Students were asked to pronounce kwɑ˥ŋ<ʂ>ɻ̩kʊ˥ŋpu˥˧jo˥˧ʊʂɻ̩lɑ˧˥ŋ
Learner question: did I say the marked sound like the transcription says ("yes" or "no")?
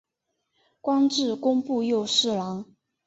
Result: no